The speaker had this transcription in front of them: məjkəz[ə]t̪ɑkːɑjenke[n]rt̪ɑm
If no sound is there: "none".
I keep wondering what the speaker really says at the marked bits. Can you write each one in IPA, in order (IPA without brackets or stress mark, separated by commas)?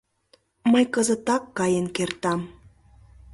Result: ə, none